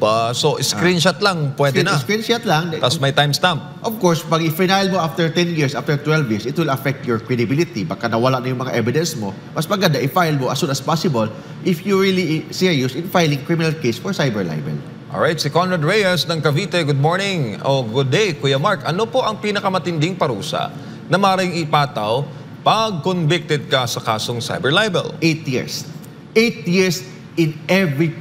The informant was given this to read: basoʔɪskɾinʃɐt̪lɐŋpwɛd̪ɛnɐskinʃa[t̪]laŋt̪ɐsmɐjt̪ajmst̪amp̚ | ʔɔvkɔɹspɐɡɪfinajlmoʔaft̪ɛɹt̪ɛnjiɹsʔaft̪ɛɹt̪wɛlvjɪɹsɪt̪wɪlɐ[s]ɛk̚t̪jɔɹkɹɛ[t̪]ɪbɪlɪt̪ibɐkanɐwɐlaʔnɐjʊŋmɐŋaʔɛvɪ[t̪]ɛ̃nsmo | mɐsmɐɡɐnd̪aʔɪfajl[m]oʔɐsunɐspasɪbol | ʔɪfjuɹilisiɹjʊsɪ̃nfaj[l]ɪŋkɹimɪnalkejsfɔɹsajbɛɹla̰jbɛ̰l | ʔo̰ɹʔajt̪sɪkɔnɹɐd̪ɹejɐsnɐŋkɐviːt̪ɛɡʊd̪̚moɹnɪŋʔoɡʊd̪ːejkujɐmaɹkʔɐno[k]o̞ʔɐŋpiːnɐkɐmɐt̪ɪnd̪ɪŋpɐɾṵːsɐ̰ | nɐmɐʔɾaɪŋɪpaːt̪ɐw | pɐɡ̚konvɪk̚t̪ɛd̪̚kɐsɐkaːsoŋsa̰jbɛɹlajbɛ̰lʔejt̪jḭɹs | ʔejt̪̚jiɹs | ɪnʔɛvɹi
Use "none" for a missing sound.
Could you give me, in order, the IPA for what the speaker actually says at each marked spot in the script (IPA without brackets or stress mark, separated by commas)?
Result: t̪, f, d̪, d̪, m, l, p